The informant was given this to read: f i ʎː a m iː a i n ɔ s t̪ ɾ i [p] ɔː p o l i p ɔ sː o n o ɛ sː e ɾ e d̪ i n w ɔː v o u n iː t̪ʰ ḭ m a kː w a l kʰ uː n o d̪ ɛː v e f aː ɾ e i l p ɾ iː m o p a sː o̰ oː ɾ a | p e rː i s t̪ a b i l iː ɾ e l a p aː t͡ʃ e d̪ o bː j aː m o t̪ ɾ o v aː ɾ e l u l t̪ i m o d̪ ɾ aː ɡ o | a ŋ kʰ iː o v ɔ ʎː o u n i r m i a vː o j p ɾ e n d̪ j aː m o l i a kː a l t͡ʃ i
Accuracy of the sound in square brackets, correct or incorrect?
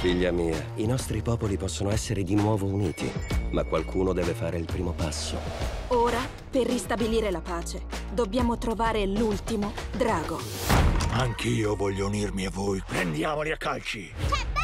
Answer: correct